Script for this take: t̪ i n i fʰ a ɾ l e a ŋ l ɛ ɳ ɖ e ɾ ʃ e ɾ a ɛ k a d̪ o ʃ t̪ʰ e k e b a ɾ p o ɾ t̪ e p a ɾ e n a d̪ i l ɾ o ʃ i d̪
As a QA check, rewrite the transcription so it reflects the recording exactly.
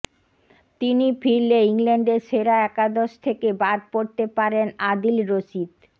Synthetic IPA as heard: t̪ i n i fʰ i ɾ l e i ŋ l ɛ ɳ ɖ e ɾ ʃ e ɾ a ɛ k a d̪ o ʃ t̪ʰ e k e b a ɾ p o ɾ t̪ e p a ɾ e n a d̪ i l ɾ o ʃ i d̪